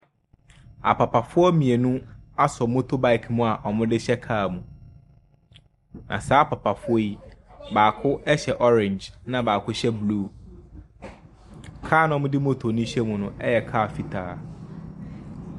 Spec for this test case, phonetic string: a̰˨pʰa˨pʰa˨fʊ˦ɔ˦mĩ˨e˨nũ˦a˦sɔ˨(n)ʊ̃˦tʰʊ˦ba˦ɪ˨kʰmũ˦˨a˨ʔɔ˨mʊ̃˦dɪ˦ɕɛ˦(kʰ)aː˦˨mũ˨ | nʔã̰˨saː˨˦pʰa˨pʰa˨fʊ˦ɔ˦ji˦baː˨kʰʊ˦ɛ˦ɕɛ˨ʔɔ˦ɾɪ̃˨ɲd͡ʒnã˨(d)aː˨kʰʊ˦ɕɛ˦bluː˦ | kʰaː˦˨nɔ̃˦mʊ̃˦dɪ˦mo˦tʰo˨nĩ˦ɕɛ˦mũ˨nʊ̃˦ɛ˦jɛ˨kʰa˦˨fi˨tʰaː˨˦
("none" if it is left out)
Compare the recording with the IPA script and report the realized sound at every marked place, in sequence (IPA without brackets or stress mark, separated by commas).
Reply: m, kʰ, b